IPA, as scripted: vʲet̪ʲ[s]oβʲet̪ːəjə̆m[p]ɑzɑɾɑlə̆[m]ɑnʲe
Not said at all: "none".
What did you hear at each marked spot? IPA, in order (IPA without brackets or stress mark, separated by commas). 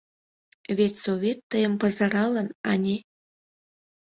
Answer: s, p, n